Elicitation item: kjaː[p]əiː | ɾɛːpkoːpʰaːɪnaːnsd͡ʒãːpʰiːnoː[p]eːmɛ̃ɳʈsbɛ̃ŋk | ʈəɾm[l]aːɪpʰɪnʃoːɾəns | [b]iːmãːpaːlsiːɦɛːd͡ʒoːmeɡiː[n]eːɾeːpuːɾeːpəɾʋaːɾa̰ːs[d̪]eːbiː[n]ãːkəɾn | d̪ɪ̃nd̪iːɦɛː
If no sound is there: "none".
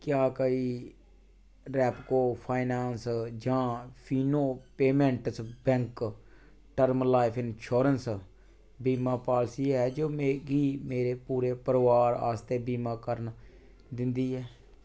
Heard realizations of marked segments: k, p, l, b, m, t̪, m

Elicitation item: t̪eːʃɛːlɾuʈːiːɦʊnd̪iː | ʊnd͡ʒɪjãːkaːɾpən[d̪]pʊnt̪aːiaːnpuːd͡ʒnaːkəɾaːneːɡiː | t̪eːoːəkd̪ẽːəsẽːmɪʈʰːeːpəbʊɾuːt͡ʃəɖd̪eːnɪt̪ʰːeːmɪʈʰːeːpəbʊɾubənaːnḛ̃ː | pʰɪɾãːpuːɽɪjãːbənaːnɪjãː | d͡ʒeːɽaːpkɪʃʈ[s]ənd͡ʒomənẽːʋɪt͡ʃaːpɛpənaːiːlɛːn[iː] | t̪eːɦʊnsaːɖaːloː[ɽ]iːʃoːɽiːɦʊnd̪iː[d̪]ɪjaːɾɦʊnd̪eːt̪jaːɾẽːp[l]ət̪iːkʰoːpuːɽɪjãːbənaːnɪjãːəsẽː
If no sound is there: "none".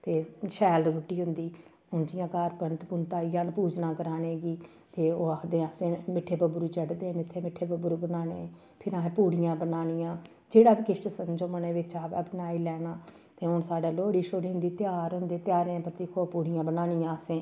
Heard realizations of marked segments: t̪, s, aː, ɽ, t̪, ɾ

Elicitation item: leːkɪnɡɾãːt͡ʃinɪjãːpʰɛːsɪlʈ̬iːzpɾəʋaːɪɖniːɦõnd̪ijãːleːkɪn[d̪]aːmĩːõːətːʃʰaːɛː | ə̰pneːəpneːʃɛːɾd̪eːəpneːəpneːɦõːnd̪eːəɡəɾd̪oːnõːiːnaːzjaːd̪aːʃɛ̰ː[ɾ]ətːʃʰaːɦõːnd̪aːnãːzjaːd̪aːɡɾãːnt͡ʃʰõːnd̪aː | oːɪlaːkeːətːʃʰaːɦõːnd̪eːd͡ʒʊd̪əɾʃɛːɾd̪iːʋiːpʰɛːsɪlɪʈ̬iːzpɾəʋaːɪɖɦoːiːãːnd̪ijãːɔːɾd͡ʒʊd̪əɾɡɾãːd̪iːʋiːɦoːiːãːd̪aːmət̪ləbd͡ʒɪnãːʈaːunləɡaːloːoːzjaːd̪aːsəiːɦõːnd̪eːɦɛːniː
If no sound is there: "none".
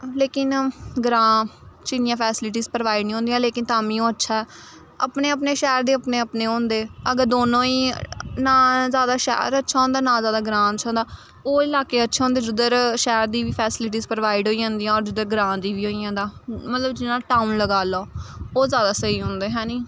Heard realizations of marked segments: t̪, ɾ

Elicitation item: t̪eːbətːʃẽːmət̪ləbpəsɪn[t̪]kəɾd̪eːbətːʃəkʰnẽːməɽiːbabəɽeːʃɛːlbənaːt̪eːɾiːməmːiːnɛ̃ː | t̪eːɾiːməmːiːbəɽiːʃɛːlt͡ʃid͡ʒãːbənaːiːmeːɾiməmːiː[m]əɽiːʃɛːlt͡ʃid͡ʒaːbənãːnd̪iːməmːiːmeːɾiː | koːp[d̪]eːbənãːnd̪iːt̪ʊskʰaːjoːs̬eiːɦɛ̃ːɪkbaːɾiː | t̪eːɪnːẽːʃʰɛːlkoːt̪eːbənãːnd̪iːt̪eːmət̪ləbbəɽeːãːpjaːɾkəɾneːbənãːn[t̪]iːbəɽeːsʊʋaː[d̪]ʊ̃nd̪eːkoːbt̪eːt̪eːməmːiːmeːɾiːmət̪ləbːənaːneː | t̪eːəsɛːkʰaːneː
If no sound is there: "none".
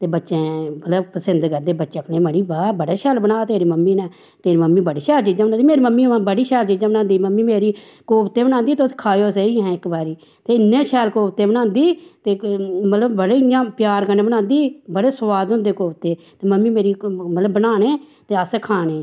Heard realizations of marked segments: d̪, b, t̪, d̪, d̪

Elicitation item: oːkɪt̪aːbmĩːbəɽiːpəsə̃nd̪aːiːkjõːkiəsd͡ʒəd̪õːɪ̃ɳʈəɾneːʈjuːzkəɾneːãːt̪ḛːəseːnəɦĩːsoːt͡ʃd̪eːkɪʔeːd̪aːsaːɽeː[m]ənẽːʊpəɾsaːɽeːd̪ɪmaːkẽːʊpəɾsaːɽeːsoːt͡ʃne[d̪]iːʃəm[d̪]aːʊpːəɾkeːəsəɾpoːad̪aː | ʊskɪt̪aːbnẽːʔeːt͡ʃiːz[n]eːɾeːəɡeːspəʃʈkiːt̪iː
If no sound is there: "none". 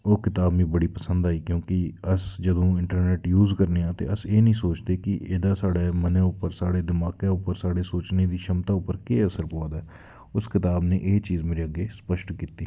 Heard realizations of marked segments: m, d̪, t̪, m

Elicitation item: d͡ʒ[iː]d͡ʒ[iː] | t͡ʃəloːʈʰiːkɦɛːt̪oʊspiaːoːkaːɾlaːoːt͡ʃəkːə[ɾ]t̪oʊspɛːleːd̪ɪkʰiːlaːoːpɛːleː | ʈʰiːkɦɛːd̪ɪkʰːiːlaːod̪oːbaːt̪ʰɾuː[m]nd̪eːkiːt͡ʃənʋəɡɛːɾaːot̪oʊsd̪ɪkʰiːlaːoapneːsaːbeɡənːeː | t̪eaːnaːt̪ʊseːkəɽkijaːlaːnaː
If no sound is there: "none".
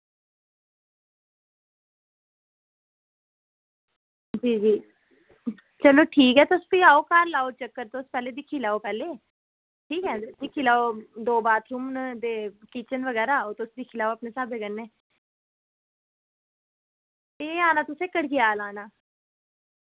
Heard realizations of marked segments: iː, iː, ɾ, m

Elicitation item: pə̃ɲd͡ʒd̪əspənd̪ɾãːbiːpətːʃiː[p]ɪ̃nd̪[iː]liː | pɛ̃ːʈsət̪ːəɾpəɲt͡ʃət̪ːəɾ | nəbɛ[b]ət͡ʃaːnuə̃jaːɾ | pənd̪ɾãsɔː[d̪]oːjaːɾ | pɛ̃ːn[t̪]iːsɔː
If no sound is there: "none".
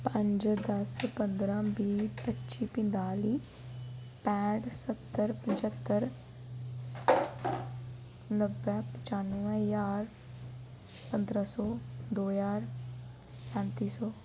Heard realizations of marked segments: p, aː, p, d̪, t̪

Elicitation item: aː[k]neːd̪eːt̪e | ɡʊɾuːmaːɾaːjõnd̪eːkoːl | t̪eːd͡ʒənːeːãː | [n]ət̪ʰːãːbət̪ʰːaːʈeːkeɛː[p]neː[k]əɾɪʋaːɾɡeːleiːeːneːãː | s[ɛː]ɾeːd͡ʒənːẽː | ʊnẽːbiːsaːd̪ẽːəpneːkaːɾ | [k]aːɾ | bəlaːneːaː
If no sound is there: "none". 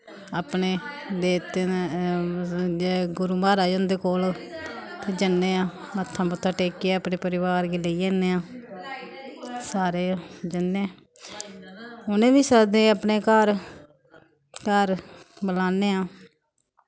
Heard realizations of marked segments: p, m, p, p, aː, k

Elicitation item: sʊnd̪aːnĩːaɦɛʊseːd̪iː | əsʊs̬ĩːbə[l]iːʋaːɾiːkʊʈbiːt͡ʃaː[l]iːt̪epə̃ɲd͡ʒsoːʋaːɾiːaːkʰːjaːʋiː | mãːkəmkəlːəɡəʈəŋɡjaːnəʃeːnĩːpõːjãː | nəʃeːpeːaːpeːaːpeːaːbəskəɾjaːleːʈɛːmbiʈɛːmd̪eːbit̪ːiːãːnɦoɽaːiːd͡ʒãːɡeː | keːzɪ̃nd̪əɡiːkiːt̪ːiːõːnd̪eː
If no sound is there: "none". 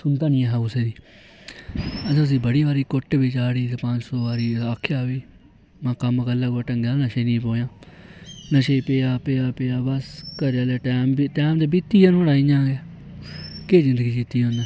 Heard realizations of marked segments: ɽ, ɽ

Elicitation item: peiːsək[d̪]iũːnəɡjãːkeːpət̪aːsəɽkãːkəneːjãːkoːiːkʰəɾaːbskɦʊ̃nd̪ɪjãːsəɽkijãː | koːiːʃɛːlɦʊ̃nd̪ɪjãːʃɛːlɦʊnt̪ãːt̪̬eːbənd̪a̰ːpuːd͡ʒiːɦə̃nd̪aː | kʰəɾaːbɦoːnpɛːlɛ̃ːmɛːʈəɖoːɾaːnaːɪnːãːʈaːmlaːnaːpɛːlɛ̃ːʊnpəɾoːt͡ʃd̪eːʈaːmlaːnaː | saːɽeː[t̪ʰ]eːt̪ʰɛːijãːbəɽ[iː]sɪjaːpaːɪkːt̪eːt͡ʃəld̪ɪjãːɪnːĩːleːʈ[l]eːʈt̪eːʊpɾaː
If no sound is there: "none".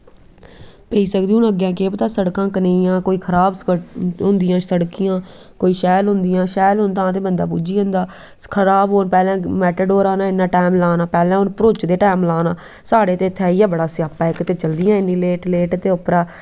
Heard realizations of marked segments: d̪, t̪, aː, l

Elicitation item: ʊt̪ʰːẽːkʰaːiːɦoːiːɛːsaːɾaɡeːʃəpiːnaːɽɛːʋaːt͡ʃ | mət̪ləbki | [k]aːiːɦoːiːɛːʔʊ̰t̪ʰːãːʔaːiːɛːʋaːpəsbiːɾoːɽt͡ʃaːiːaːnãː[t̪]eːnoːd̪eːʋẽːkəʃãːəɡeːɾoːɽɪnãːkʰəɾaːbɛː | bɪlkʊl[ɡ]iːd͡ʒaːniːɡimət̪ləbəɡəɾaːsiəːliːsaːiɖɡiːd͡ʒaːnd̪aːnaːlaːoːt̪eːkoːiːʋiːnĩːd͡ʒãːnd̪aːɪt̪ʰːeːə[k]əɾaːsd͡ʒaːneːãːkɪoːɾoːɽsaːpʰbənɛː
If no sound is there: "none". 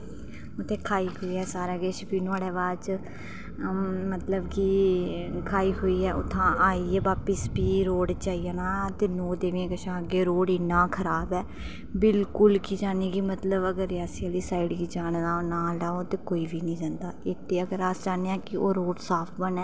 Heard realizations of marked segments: kʰ, t̪, k, ɡ

